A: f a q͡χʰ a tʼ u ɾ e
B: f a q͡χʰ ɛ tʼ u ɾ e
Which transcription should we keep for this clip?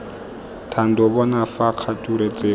A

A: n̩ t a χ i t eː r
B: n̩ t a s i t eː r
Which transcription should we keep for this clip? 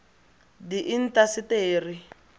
B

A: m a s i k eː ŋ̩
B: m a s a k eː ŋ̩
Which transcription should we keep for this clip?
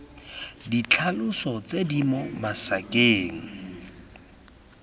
B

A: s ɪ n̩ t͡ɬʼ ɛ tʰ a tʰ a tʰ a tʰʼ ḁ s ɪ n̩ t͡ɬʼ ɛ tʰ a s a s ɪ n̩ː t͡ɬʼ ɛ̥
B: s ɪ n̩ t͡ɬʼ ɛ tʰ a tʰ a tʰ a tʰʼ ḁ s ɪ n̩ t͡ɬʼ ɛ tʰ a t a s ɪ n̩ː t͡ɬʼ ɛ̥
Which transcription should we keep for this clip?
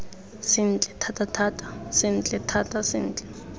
B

